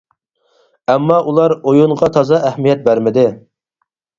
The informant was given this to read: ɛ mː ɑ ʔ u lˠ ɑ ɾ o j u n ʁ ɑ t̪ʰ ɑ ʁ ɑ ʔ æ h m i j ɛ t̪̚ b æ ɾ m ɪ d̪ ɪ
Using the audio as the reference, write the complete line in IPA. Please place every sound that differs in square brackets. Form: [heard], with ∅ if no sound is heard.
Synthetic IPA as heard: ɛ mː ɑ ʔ u lˠ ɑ ɾ o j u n ʁ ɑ t̪ʰ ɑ [z] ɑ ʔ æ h m i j ɛ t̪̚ b æ ɾ m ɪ d̪ ɪ